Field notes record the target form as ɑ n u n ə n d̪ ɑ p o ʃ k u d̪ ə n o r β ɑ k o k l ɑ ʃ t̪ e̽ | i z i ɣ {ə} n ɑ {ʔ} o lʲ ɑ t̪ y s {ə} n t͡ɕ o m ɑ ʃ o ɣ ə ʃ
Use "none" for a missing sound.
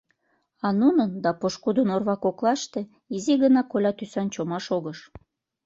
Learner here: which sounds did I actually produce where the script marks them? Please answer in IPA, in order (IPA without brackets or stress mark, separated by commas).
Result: ə, k, ɑ